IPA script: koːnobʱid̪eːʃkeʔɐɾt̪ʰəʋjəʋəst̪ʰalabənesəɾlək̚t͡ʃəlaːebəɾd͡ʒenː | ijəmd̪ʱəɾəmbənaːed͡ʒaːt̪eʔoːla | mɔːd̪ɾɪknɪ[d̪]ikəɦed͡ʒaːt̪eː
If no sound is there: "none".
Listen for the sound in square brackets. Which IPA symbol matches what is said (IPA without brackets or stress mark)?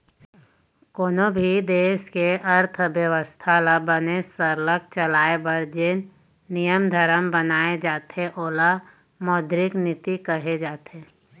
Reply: t̪